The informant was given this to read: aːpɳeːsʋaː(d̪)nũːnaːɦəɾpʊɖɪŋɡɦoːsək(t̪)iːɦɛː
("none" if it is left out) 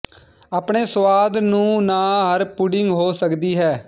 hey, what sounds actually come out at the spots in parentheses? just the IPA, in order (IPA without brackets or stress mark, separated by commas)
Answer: d̪, d̪